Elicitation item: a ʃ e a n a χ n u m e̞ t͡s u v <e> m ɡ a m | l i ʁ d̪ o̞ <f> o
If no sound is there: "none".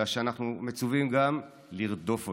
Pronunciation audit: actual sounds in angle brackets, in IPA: i, f

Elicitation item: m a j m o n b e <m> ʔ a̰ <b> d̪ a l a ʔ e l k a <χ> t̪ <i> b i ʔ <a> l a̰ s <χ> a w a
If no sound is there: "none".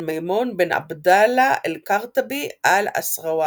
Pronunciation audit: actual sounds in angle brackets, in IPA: n, b, ʁ, a, a, ʁ

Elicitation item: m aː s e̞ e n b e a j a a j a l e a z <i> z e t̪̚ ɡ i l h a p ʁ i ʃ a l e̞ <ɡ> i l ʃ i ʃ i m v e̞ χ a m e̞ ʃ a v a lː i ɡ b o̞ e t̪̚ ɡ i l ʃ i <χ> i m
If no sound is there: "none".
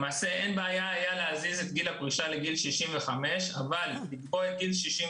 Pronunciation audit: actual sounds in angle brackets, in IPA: i, ɡ, ʃ

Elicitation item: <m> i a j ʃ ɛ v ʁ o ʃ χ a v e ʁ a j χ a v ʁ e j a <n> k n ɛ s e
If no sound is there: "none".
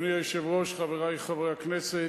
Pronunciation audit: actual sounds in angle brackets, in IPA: n, none

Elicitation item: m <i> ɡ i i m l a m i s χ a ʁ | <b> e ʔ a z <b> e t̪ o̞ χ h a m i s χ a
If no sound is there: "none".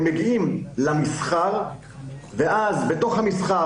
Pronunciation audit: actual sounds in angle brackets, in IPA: e, v, b

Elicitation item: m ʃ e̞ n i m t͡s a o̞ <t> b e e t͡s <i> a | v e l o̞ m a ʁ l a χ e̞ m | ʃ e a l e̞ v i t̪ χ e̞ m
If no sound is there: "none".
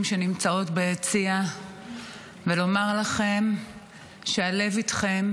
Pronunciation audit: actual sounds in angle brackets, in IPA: t, i

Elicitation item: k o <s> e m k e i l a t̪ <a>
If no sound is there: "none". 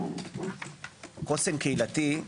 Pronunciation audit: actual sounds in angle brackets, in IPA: s, i

